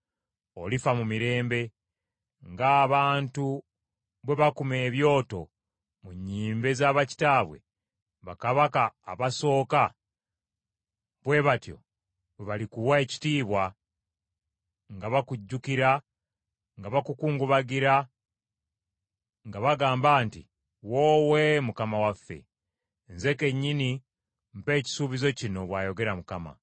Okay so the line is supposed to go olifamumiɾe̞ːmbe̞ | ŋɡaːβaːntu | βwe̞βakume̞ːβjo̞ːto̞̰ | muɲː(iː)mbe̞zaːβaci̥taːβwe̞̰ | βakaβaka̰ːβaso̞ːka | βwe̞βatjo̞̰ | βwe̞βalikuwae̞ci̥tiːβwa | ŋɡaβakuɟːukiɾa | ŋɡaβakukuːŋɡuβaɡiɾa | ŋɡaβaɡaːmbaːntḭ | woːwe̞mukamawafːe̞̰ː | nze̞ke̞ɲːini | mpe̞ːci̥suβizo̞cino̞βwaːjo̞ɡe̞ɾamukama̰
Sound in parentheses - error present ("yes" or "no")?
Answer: no